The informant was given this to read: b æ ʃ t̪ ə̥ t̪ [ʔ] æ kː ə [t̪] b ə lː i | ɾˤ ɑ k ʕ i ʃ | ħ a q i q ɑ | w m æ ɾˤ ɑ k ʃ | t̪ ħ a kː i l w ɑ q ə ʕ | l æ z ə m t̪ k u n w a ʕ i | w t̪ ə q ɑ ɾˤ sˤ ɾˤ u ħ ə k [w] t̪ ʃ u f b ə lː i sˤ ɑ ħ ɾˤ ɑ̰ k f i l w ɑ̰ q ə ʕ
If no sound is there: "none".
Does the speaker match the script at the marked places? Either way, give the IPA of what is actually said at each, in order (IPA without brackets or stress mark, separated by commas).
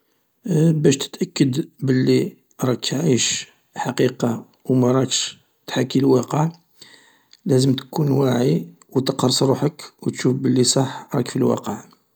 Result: ʔ, d̪, w